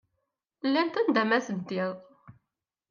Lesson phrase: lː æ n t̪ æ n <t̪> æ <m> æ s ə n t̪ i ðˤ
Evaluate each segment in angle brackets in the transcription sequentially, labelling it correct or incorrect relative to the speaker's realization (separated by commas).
incorrect, correct